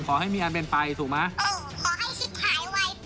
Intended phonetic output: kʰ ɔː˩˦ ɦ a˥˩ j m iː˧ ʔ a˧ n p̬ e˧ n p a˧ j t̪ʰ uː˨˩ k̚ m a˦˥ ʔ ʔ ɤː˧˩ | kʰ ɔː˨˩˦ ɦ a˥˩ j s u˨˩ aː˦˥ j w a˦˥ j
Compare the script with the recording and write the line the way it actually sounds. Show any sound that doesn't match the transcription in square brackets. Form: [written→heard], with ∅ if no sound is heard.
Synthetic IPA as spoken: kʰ ɔː˩˦ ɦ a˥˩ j m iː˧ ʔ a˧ n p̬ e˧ n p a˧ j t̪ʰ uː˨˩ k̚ m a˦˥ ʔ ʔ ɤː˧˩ | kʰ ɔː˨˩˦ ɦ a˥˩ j s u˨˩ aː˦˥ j w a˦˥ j